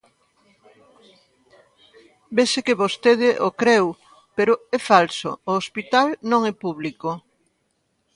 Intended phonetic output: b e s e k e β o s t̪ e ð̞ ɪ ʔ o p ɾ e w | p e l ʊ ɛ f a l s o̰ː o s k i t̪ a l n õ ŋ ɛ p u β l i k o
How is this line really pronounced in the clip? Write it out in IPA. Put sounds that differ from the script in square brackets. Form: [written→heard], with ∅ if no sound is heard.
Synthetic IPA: b e s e k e β o s t̪ e ð̞ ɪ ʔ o [p→k] ɾ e w | p e [l→ɾ] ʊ ɛ f a l s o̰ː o s [k→p] i t̪ a l n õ ŋ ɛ p u β l i k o